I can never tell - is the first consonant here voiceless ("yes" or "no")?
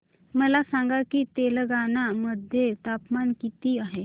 no